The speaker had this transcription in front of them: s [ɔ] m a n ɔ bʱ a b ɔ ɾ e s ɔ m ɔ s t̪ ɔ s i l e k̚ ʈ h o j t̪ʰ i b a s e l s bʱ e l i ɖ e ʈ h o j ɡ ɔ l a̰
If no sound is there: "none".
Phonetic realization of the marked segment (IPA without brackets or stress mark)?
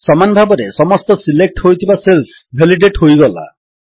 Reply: ɔ